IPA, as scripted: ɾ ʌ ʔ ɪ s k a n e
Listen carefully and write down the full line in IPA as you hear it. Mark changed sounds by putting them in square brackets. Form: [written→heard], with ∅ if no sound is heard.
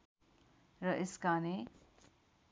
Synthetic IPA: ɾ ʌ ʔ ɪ s k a n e

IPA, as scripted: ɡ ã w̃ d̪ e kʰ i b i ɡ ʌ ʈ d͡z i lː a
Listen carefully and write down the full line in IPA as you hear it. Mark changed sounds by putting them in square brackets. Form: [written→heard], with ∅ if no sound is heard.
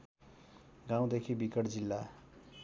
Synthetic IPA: ɡ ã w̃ d̪ e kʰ i b i [ɡ→k] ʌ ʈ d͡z i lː a

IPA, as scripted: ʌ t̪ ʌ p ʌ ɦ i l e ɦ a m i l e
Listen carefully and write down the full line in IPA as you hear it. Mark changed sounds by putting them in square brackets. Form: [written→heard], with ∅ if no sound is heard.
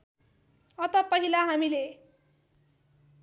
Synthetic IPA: ʌ t̪ ʌ p ʌ ɦ i l [e→a] ɦ a m i l e

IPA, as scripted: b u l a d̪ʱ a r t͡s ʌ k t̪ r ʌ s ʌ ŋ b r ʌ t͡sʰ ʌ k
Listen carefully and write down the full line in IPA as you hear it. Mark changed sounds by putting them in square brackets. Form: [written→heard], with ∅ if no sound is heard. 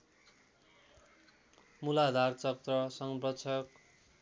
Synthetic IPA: [b→m] u l a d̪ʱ a r t͡s ʌ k t̪ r ʌ s ʌ ŋ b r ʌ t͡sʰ ʌ k

